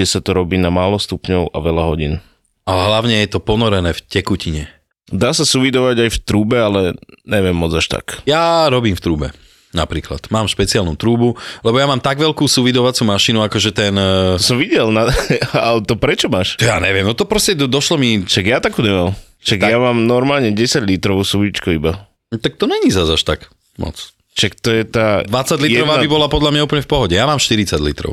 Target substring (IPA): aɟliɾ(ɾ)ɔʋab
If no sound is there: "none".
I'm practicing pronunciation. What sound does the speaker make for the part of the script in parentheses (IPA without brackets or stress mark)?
ɾ